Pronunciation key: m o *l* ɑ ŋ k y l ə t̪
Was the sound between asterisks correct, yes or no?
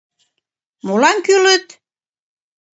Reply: yes